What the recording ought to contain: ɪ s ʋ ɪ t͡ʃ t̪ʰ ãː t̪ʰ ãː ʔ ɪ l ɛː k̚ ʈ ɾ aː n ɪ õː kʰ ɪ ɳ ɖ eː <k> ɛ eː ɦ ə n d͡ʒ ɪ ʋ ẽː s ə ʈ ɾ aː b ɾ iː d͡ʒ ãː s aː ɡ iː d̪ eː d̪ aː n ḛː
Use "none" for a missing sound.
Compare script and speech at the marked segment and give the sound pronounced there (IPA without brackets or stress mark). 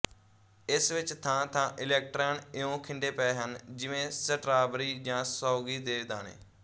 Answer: p